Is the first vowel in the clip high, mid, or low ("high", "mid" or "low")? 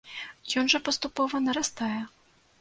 mid